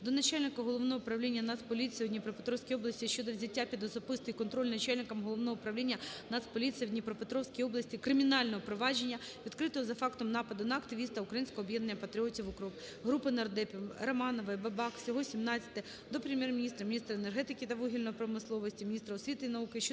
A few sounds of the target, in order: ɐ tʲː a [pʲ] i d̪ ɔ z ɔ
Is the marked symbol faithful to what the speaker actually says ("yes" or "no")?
yes